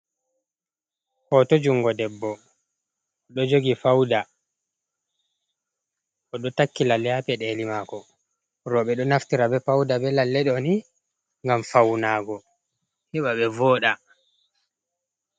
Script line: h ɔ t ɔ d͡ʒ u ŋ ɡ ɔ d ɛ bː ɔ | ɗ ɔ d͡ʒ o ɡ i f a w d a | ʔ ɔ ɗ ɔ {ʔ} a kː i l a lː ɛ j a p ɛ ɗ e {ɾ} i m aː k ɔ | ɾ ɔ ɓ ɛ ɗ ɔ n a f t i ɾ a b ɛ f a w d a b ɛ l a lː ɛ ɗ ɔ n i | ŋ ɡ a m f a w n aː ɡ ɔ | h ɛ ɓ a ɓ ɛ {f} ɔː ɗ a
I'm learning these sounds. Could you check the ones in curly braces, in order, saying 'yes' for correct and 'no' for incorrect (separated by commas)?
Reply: no, no, no